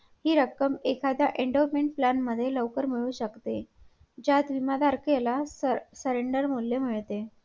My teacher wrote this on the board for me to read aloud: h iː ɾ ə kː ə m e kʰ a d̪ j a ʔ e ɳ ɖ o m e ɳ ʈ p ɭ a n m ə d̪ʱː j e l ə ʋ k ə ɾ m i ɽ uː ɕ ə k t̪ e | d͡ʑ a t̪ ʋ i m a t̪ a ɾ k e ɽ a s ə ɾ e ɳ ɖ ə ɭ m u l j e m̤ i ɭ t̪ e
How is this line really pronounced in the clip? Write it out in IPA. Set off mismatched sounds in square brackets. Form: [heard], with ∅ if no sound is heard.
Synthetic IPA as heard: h iː ɾ ə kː ə m e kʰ a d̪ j a ʔ e ɳ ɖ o m e ɳ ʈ p [l] a n m ə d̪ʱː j e l ə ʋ k ə ɾ m i [ɭ] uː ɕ ə k t̪ e | d͡ʑ a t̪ ʋ i m a [d̪] a ɾ k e [l] a s ə ɾ e ɳ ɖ ə [ɾ] m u l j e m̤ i ɭ t̪ e